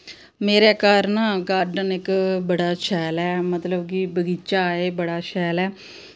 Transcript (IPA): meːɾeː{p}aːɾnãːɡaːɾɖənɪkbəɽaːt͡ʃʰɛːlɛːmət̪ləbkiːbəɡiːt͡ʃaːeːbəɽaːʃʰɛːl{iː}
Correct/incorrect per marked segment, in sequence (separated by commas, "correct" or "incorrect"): incorrect, incorrect